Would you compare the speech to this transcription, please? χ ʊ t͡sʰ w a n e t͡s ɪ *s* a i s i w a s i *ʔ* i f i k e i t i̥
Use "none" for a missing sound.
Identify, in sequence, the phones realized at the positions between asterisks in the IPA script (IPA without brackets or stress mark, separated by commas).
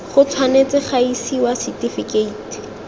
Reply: χ, t